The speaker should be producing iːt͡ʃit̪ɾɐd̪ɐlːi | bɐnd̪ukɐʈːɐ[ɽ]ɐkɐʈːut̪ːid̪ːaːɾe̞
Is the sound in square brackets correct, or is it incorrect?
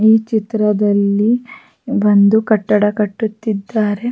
correct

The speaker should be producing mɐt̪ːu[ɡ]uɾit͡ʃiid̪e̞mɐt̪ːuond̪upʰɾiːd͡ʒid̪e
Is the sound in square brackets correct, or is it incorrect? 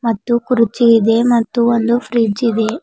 incorrect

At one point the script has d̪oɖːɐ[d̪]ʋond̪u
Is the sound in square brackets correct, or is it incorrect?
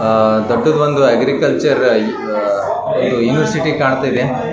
correct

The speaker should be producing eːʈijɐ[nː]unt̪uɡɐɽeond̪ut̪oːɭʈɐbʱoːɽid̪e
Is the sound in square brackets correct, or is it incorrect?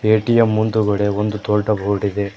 incorrect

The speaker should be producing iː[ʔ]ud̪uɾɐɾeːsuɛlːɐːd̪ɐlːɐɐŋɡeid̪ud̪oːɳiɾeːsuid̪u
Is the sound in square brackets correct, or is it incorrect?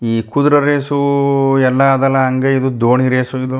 incorrect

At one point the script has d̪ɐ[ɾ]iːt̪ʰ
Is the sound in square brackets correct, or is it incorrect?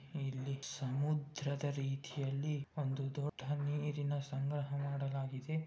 correct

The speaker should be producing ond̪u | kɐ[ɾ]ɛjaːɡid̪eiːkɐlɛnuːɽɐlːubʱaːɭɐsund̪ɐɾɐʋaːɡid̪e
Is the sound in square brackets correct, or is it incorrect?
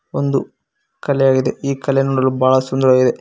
incorrect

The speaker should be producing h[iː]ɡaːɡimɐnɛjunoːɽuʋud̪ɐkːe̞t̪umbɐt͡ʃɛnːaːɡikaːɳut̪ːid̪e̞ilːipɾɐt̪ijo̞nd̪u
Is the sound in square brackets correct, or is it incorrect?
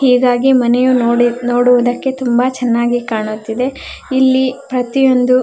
correct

